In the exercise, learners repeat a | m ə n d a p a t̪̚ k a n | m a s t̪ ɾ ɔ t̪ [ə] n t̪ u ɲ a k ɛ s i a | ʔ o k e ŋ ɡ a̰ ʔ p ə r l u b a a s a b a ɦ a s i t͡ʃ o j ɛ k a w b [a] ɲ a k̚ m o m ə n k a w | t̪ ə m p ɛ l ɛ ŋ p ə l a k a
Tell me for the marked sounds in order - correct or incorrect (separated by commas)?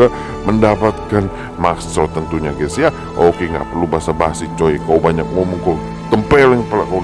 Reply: correct, correct